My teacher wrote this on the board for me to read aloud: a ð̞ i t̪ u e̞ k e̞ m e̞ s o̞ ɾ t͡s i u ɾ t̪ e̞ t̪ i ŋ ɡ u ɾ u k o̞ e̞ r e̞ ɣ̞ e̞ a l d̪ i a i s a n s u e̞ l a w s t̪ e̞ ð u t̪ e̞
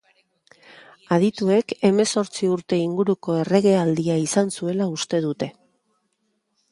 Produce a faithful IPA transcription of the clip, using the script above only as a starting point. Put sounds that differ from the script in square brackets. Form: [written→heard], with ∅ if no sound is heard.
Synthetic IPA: a ð̞ i t̪ u e̞ k e̞ m e̞ s o̞ ɾ t͡s i u ɾ t̪ e̞ [t̪→∅] i ŋ ɡ u ɾ u k o̞ e̞ r e̞ ɣ̞ e̞ a l d̪ i a i s a n s u e̞ l a [w→u] s t̪ e̞ ð u t̪ e̞